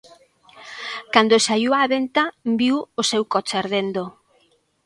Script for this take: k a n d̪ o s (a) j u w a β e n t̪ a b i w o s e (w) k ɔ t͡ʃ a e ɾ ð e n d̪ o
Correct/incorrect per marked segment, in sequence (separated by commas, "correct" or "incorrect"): correct, correct